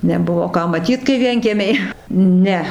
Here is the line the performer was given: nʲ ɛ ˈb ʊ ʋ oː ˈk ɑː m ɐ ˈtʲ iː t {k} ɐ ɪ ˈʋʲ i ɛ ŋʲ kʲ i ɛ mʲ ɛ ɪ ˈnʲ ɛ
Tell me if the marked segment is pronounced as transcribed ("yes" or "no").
yes